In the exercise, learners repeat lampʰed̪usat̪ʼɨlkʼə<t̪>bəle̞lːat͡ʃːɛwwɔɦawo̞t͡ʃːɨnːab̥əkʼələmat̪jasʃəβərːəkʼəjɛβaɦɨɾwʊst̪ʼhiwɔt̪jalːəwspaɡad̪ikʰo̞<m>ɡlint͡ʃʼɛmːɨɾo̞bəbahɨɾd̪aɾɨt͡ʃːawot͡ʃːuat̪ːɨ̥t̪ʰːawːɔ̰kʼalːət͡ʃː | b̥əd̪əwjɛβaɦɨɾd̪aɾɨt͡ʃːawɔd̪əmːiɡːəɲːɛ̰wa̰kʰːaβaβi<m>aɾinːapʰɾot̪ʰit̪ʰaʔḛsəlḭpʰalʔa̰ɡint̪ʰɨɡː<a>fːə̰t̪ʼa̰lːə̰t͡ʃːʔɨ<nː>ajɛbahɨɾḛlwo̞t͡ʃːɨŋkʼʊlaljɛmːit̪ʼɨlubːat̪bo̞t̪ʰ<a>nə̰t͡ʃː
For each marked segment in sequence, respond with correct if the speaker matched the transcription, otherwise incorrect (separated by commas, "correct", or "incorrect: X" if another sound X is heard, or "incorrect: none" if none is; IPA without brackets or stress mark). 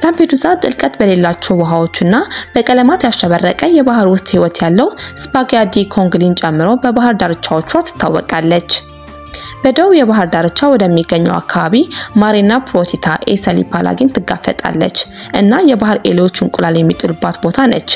correct, incorrect: ŋ, correct, correct, correct, correct